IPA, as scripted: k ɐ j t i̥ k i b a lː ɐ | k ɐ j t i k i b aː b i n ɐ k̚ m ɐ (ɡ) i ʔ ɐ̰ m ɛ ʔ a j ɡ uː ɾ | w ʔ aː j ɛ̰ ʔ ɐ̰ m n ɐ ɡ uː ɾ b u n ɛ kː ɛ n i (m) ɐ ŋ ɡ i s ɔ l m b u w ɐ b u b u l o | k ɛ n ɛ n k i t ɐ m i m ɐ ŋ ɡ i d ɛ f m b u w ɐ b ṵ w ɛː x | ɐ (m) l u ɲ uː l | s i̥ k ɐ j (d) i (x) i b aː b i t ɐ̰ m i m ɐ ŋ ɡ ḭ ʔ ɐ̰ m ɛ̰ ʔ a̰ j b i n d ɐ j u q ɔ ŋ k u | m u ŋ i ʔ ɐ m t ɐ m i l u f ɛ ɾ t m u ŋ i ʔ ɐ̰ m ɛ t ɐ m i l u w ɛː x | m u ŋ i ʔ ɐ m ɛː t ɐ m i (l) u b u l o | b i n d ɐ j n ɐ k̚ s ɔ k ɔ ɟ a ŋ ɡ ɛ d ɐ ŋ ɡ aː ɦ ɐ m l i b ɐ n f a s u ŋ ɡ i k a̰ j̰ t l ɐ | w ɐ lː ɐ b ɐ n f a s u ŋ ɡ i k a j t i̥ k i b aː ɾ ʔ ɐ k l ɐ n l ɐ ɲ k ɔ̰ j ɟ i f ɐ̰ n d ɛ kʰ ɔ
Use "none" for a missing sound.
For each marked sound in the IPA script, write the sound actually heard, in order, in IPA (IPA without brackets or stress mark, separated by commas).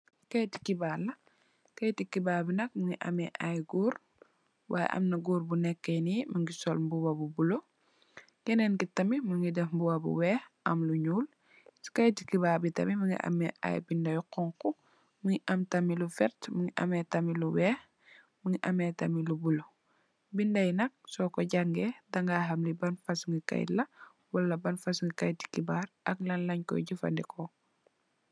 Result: ŋ, m, m, t, k, l